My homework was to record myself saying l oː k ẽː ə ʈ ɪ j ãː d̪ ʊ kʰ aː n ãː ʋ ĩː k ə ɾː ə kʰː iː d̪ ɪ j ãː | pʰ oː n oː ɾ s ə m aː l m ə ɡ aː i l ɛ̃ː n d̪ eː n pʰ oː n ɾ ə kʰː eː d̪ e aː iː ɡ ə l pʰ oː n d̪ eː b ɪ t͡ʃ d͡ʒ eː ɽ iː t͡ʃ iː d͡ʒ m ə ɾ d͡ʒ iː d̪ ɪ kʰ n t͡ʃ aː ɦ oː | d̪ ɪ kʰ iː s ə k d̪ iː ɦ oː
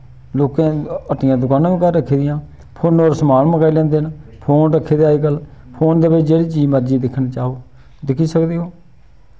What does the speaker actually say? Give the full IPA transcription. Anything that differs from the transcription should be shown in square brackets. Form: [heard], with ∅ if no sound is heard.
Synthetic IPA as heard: l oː k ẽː ə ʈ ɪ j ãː d̪ ʊ [k] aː n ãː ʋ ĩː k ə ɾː ə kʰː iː d̪ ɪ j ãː | pʰ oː n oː ɾ s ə m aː l m ə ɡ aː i l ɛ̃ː n d̪ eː n pʰ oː n ɾ ə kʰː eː d̪ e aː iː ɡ ə l pʰ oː n d̪ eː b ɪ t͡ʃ d͡ʒ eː ɽ iː t͡ʃ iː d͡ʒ m ə ɾ d͡ʒ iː d̪ ɪ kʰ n t͡ʃ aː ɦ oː | d̪ ɪ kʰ iː s ə k d̪ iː ɦ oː

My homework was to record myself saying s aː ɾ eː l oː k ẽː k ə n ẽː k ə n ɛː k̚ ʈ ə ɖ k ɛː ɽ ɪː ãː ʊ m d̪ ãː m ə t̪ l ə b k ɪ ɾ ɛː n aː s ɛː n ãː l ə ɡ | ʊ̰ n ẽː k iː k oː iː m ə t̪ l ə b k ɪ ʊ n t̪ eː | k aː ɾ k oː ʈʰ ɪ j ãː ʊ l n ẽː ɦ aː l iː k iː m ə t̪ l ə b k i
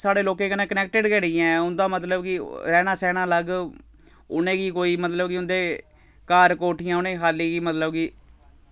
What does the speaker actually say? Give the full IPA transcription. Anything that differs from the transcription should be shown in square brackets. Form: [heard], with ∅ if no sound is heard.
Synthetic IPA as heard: s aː [ɽ] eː l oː k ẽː k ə n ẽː k ə n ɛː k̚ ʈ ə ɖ k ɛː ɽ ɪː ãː ʊ [n] d̪ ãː m ə t̪ l ə b k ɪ ɾ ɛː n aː s ɛː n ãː l ə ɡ | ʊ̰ n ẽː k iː k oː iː m ə t̪ l ə b k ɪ ʊ n [d̪] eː | k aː ɾ k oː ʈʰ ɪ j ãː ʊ [∅] n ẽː ɦ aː l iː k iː m ə t̪ l ə b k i

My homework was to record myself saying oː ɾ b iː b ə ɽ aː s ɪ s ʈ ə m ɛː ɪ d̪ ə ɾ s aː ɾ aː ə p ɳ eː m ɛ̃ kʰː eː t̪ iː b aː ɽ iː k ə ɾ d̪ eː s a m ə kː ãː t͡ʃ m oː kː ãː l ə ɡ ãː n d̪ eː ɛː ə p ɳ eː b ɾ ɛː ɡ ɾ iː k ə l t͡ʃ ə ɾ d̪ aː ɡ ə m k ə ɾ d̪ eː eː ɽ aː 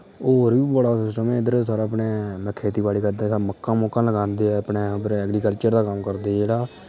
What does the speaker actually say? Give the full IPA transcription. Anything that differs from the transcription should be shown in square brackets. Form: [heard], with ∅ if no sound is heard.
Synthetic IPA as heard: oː ɾ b iː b ə ɽ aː s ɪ s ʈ ə m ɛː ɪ d̪ ə ɾ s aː ɾ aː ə p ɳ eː m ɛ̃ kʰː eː t̪ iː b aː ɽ iː k ə ɾ d̪ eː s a m ə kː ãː [∅] m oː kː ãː l ə ɡ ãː n d̪ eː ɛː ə p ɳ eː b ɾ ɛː ɡ ɾ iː k ə l t͡ʃ ə ɾ d̪ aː [k] ə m k ə ɾ d̪ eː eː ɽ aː

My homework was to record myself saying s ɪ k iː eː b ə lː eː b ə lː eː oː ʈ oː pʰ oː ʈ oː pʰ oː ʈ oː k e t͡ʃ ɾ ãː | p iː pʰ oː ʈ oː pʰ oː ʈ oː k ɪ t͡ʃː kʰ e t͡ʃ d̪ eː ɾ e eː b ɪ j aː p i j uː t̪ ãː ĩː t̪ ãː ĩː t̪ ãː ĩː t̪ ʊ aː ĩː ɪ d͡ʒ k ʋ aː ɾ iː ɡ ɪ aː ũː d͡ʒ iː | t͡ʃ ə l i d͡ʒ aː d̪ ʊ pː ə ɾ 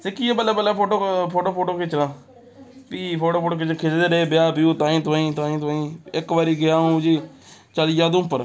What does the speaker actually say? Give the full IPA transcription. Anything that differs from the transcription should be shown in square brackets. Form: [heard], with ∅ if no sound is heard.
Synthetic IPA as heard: s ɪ k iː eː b ə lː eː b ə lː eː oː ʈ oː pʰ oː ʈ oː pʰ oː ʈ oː k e t͡ʃ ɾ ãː | p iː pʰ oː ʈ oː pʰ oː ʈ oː k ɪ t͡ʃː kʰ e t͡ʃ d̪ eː ɾ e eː b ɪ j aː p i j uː t̪ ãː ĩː t̪ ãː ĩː t̪ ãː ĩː t̪ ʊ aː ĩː ɪ [∅] k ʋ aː ɾ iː ɡ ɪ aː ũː d͡ʒ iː | t͡ʃ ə l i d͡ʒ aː d̪ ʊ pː ə ɾ

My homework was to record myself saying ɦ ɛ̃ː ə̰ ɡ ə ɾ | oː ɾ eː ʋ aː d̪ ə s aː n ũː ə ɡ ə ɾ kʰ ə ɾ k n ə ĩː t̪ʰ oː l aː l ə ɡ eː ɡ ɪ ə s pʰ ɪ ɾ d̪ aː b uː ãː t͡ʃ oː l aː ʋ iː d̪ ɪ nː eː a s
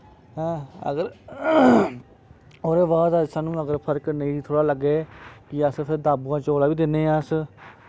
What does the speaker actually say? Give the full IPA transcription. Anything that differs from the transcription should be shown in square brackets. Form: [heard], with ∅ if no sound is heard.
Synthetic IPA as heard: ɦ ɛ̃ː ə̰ ɡ ə ɾ | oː ɾ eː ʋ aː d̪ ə s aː n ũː ə ɡ ə ɾ [pʰ] ə ɾ k n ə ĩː t̪ʰ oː [ɽ] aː l ə ɡ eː [k] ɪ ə s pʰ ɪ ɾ d̪ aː b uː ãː t͡ʃ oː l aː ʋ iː d̪ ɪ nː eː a s

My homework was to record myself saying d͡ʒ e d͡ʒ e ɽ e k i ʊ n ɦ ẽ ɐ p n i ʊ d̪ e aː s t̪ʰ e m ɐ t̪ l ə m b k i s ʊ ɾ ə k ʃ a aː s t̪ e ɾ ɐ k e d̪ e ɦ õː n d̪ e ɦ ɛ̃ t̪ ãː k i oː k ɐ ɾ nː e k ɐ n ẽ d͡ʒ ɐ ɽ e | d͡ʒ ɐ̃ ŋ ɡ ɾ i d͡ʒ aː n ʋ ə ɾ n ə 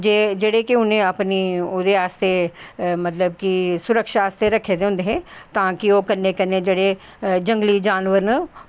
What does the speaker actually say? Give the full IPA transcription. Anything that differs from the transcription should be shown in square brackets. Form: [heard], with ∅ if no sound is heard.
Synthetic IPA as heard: d͡ʒ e d͡ʒ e ɽ e k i ʊ n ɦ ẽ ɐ p n i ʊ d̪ e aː s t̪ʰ e m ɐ t̪ l ə [∅] b k i s ʊ ɾ ə k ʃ a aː s t̪ e ɾ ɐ [kʰ] e d̪ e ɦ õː n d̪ e ɦ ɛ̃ t̪ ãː k i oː k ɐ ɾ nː e k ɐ n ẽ d͡ʒ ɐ ɽ e | d͡ʒ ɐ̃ ŋ ɡ [l] i d͡ʒ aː n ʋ ə ɾ n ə

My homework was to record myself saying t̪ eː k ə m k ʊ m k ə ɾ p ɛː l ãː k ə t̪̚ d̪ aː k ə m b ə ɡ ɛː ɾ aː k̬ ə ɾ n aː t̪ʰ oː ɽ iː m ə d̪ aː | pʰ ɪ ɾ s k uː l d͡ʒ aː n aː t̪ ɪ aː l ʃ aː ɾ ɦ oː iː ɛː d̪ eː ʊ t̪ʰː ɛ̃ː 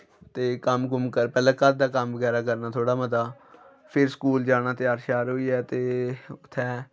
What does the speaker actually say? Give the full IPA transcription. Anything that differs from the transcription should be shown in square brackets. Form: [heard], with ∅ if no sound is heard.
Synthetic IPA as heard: t̪ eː k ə m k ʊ m k ə ɾ p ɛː l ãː k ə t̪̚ d̪ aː k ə m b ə ɡ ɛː ɾ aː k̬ ə ɾ n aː t̪ʰ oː ɽ [aː] m ə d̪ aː | pʰ ɪ ɾ s k uː l d͡ʒ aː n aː t̪ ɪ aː [ɾ] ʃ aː ɾ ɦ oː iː ɛː [t̪] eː ʊ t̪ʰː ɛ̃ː

